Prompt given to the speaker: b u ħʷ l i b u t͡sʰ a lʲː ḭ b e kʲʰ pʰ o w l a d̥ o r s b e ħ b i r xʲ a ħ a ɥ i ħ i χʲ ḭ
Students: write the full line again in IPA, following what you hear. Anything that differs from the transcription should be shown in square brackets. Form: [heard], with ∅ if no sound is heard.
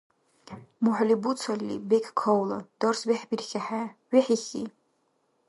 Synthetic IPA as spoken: [m] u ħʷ l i b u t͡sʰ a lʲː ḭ b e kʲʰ [kʰ] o w l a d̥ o r s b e ħ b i r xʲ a ħ a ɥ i ħ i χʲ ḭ